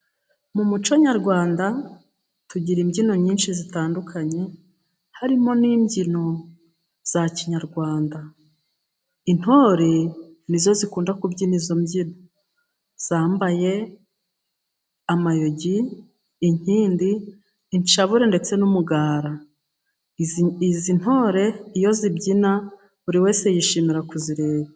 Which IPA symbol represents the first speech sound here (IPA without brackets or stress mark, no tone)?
m